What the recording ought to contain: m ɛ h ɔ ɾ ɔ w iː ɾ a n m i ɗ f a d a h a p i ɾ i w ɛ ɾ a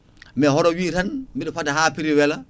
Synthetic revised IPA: m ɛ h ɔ ɾ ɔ w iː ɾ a n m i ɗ f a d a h a p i ɾ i w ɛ l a